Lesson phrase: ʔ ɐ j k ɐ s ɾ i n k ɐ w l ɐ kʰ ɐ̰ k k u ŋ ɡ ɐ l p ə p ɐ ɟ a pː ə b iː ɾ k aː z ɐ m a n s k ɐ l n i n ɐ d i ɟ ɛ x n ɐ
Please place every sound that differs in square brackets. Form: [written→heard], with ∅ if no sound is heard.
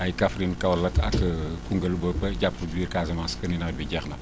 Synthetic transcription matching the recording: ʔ ɐ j k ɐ [s→f] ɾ i n k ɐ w l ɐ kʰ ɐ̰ k k u ŋ ɡ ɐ l [p→b] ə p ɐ ɟ a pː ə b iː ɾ k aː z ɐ m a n s k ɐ [l→∅] n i n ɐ [d→b] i ɟ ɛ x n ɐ